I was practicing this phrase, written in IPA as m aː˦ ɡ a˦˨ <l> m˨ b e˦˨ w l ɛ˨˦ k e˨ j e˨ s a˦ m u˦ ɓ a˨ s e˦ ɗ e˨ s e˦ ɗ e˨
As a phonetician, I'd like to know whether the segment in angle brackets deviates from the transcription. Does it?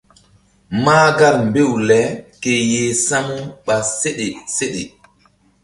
no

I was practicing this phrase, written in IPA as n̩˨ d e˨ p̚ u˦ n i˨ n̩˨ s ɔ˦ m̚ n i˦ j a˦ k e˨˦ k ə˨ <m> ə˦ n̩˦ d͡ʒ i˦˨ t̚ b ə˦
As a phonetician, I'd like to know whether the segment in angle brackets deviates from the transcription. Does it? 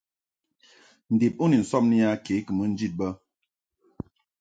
no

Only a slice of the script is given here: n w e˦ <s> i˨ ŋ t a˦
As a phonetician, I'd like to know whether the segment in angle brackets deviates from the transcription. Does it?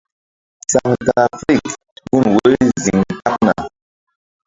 yes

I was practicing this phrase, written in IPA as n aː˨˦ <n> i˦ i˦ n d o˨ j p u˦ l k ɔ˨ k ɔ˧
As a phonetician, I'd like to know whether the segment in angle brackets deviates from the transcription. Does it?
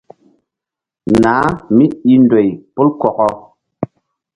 yes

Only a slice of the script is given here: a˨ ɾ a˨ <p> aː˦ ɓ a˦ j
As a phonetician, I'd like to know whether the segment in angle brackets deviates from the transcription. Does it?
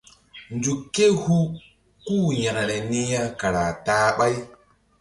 yes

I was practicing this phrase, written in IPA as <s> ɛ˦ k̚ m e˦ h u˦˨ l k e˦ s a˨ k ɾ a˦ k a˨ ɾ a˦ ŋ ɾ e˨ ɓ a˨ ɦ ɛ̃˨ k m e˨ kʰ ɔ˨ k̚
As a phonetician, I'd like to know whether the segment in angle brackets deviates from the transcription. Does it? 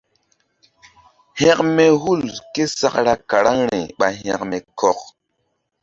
yes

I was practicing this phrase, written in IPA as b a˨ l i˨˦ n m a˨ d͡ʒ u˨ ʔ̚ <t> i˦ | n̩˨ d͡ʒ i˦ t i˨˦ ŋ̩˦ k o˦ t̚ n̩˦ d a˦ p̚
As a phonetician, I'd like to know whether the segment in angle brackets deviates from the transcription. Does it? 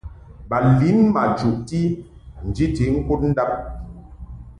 no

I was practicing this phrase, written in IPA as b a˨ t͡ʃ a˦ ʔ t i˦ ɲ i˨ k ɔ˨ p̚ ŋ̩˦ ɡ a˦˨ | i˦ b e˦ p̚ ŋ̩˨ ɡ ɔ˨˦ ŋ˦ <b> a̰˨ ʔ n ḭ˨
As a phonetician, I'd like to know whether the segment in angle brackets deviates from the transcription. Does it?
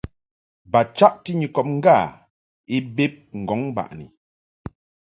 no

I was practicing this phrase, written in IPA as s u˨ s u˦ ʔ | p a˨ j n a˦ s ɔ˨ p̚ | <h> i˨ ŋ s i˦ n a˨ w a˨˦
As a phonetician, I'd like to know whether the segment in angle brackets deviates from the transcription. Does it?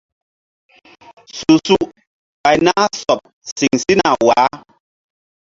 yes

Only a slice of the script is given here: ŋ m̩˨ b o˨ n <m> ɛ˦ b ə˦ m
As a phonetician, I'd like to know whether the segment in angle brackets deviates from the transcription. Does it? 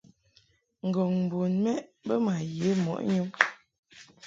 no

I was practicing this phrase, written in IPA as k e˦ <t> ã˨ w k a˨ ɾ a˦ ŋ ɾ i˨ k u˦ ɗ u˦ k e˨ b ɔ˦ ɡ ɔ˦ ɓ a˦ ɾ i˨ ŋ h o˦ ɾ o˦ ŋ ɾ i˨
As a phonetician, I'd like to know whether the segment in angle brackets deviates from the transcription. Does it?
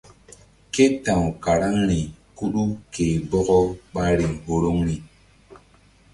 no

